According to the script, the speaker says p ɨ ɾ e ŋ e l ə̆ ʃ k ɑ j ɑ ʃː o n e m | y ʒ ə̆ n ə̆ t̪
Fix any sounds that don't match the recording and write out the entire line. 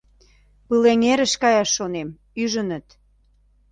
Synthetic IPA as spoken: p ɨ l e ŋ e ɾ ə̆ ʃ k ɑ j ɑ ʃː o n e m | y ʒ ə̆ n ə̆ t̪